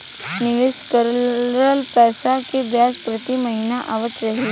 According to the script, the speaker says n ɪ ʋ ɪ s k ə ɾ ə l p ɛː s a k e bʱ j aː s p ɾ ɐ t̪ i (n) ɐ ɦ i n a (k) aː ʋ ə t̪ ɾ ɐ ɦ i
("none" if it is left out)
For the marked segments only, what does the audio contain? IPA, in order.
m, ʔ

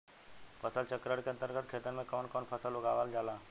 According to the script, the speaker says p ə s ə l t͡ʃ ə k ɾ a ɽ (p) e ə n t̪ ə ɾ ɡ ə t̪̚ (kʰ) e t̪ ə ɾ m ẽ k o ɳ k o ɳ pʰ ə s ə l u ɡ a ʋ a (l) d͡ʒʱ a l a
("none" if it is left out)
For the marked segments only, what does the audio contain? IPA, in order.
k, kʰ, l

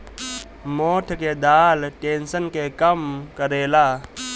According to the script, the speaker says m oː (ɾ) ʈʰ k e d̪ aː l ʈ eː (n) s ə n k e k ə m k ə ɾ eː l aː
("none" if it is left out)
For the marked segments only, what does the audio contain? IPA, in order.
none, n

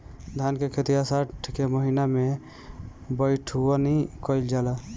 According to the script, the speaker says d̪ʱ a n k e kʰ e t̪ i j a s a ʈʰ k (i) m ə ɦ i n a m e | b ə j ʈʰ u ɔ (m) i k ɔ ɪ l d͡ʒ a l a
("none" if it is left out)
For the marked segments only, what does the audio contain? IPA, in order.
e, n

